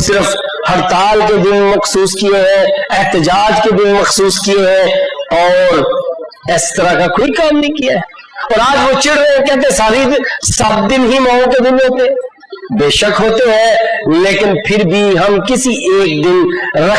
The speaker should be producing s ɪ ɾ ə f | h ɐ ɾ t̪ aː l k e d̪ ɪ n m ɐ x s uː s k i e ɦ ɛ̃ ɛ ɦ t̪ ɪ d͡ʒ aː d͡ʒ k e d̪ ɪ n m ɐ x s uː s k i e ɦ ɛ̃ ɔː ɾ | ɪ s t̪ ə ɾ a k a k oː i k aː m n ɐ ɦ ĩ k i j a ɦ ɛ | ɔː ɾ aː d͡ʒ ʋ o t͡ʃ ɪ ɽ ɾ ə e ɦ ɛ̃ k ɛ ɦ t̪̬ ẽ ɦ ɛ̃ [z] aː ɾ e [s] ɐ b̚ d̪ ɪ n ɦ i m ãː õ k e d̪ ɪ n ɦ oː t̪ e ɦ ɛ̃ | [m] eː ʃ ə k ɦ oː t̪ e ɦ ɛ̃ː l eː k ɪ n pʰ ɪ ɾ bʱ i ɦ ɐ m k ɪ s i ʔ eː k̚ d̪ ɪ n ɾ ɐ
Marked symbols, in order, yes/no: no, yes, no

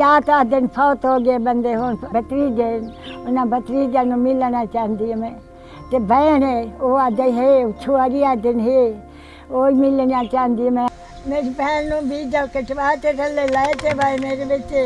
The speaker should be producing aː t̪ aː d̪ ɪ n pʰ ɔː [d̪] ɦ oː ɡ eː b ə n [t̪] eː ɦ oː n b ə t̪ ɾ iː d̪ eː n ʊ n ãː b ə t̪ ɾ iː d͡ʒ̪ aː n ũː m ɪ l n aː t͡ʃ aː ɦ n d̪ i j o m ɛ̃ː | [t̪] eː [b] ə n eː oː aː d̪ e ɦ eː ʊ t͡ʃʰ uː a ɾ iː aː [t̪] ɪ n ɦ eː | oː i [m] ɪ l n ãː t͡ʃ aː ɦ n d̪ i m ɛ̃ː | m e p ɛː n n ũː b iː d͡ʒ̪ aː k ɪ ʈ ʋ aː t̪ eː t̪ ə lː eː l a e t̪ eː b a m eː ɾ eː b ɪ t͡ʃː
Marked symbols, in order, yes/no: no, no, yes, yes, no, yes

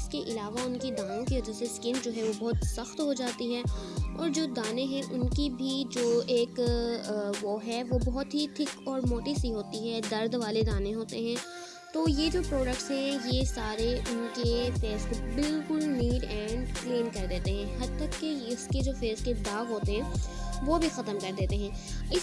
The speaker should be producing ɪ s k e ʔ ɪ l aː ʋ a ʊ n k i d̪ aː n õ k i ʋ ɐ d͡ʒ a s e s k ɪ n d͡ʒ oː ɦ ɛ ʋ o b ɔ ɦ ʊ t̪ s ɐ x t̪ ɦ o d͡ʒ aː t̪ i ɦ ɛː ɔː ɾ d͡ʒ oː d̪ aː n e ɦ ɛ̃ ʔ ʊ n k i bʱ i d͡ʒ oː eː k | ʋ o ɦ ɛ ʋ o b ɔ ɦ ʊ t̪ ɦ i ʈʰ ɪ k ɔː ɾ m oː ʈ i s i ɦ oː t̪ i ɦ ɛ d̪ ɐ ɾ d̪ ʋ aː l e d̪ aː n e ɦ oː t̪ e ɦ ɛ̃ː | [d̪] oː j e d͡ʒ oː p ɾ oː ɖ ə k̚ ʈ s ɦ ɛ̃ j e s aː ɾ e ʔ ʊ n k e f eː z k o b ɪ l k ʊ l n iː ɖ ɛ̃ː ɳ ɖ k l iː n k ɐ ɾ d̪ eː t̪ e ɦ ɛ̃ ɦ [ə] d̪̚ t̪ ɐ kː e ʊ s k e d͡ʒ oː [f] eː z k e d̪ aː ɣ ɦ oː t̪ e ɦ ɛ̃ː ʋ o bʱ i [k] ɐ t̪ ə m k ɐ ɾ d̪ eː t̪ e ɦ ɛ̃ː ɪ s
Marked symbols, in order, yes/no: no, no, yes, no

